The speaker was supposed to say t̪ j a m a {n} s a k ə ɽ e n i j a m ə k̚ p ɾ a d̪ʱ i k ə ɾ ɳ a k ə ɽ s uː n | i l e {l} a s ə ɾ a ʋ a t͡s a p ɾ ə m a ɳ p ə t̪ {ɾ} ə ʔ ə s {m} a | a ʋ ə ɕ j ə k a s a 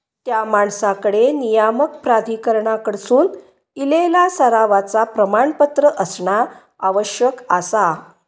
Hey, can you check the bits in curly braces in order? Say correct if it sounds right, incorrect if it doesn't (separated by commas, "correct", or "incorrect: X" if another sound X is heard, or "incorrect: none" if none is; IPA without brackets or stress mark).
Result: incorrect: ɳ, correct, correct, incorrect: ɳ